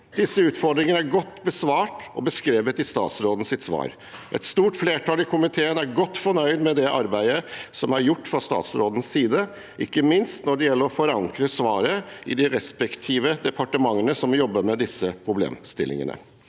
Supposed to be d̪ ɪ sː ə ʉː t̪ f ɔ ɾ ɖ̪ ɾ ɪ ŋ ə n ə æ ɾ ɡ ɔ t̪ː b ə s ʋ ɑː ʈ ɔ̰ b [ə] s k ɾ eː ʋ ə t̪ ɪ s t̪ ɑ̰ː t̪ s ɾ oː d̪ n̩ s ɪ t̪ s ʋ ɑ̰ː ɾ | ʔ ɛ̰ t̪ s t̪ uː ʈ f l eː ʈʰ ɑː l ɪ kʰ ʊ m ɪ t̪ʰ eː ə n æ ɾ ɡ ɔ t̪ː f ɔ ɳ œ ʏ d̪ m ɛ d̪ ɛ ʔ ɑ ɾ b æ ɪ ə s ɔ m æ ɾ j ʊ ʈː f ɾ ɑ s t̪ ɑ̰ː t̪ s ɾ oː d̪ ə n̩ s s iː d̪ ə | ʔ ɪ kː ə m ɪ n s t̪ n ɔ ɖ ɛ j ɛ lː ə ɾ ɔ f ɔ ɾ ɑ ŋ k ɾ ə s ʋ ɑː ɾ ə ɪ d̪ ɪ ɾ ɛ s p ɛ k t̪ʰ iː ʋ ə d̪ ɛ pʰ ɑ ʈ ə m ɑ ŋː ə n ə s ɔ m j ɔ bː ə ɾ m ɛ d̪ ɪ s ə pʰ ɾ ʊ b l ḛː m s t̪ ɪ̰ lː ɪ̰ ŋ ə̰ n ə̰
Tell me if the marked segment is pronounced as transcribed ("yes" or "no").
yes